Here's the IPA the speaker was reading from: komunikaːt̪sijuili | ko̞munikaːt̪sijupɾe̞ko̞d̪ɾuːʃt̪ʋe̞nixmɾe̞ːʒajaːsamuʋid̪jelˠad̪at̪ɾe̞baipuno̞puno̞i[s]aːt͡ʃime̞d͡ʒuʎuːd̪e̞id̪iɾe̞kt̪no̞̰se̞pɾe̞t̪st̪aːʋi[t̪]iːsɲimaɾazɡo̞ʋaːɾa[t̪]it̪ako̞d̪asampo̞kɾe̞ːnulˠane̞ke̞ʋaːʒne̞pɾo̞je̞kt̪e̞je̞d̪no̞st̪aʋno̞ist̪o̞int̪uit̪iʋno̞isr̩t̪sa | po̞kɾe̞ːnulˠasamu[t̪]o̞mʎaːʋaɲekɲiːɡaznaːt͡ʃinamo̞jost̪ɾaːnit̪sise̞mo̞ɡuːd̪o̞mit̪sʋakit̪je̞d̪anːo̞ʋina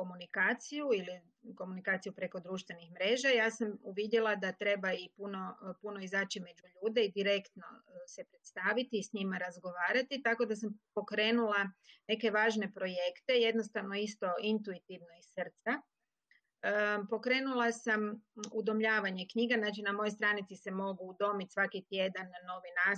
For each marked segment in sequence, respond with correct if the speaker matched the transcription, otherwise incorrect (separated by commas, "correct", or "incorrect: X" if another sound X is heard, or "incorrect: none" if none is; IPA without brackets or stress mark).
incorrect: z, correct, correct, incorrect: d̪